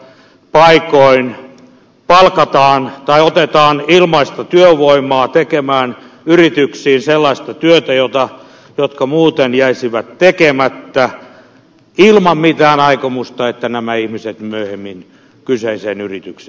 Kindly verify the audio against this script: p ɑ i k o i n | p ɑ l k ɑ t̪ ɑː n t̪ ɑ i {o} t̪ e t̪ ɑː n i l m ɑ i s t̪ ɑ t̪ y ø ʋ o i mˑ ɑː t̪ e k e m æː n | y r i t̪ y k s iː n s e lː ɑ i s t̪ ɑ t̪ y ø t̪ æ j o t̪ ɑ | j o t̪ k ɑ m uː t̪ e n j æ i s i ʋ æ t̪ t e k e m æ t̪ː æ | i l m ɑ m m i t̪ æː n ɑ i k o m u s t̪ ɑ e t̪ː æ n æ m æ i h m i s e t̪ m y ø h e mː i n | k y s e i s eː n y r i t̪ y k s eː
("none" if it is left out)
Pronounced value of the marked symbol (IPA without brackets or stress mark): o